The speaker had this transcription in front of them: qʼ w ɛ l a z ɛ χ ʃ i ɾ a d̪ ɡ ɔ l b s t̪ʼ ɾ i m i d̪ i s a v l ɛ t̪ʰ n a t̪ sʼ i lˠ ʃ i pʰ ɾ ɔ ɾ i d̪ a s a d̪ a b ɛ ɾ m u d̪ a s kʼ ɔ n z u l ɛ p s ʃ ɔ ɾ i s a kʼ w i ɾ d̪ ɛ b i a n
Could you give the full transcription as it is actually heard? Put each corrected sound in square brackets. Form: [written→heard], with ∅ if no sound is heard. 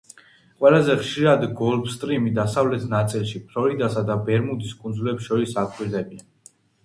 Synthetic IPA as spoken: qʼ w ɛ l a z ɛ χ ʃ i ɾ a d̪ ɡ ɔ l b s t̪ʼ ɾ i m i d̪ [i→a] s a v l ɛ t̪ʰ n a t̪ sʼ i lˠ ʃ i pʰ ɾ ɔ ɾ i d̪ a s a d̪ a b ɛ ɾ m u d̪ [a→i] s kʼ [ɔ→u] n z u l ɛ p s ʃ ɔ ɾ i s a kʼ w i ɾ d̪ ɛ b i a n